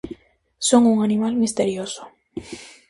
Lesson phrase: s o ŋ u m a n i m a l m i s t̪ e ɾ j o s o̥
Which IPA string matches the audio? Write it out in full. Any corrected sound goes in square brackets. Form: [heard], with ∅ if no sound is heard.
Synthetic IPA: s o ŋ u [ŋ] a n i m a l m i s t̪ e ɾ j o s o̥